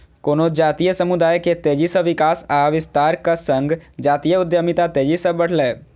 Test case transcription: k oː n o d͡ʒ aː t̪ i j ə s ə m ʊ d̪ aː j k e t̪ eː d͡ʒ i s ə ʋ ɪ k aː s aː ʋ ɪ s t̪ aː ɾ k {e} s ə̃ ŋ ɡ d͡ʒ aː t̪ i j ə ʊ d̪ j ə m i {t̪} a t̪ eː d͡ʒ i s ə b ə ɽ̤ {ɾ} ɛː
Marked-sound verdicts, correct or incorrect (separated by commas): incorrect, correct, incorrect